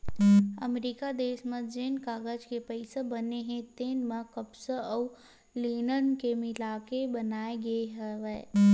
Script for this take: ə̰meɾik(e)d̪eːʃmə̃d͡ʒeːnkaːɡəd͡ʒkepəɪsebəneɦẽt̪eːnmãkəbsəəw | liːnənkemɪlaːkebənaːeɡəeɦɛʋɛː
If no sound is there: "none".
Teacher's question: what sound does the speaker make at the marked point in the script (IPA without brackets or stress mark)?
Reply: a